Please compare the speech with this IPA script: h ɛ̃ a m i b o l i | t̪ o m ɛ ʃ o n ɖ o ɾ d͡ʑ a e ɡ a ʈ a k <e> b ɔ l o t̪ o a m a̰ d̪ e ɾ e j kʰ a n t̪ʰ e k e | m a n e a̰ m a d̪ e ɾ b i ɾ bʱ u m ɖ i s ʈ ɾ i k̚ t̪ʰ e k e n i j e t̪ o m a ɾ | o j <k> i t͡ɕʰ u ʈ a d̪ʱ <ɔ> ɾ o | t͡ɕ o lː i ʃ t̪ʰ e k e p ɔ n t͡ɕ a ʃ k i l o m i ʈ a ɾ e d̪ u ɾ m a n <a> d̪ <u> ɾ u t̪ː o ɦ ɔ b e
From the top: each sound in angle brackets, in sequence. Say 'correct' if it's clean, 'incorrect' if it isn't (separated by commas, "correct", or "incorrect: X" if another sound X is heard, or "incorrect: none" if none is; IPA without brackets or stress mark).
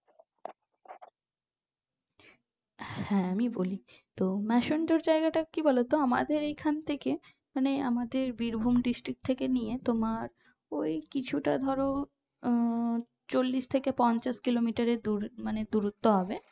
incorrect: i, correct, correct, incorrect: e, correct